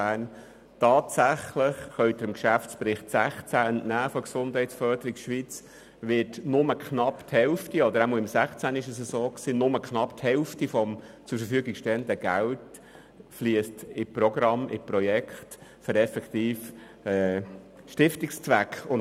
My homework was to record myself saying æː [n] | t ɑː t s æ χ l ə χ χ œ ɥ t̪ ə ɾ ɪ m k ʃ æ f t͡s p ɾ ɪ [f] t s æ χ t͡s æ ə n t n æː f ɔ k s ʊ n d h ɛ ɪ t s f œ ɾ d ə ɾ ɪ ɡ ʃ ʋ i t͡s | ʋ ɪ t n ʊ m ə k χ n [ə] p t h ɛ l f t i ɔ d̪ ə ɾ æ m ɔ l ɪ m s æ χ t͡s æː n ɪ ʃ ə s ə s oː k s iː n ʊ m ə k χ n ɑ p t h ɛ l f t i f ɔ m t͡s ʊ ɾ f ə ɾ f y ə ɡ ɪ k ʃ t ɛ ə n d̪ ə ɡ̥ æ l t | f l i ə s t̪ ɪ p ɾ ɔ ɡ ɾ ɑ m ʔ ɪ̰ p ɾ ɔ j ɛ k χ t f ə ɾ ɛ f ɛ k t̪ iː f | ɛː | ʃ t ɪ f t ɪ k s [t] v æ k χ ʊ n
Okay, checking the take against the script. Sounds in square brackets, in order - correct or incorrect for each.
correct, incorrect, incorrect, incorrect

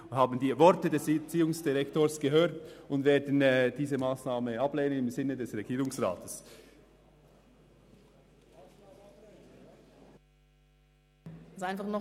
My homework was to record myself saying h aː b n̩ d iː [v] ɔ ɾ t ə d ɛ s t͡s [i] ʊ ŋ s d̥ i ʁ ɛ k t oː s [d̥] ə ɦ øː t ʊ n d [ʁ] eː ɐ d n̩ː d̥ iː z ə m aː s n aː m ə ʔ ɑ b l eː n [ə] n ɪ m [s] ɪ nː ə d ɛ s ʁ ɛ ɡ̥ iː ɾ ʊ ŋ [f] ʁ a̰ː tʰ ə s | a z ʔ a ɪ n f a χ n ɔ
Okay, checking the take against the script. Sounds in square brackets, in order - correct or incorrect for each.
correct, incorrect, incorrect, incorrect, correct, incorrect, incorrect

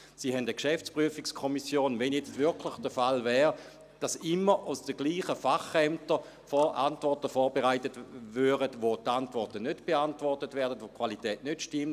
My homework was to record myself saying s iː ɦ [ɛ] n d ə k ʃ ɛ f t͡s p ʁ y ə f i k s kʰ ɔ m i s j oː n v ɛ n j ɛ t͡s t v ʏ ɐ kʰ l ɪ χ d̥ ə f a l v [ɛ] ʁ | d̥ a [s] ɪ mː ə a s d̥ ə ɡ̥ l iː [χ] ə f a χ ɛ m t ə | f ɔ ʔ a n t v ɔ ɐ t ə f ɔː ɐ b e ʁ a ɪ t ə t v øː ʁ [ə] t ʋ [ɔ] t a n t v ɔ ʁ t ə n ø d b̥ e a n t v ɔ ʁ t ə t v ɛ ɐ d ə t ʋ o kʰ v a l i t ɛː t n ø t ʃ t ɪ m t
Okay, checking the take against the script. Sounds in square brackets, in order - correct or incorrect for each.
correct, incorrect, correct, correct, correct, incorrect

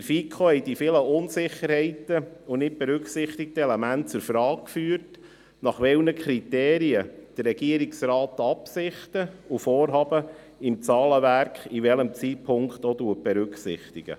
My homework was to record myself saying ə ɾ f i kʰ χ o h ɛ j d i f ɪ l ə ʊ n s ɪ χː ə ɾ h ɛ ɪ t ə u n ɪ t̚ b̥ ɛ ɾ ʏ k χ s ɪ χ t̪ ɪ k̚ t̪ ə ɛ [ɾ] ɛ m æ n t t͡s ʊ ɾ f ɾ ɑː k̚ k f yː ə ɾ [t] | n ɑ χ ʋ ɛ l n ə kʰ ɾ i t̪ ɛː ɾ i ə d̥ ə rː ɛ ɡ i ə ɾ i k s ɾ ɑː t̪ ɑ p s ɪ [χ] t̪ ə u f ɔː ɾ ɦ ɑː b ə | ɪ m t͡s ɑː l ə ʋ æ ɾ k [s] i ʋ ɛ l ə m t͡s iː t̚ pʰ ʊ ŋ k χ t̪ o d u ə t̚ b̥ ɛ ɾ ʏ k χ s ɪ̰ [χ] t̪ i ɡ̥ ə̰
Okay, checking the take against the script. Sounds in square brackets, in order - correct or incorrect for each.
incorrect, correct, correct, incorrect, correct

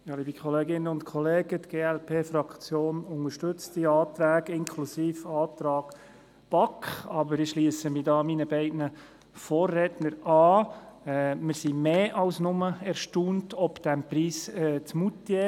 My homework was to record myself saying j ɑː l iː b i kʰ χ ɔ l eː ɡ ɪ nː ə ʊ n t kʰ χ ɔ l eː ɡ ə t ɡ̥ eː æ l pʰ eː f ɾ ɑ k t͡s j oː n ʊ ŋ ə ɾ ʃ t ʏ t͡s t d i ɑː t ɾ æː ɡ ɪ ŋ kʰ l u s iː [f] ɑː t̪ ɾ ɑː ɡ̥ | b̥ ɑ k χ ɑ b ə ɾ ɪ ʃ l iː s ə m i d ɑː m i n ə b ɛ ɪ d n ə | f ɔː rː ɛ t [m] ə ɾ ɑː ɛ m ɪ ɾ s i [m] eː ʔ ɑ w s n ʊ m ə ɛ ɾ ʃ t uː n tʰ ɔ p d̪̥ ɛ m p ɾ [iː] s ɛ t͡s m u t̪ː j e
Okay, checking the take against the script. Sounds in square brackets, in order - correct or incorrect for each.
correct, incorrect, correct, correct

